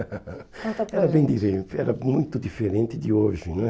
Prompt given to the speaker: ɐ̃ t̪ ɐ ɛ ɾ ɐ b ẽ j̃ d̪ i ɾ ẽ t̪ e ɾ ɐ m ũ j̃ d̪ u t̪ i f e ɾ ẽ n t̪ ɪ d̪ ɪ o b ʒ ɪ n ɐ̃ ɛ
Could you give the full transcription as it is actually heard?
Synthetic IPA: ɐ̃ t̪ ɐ ɛ ɾ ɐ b ẽ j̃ d̪ i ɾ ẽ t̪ ɛ ɾ ɐ m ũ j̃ t̪ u d̪ i f e ɾ ẽ n t̪ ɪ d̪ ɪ o ʒ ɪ n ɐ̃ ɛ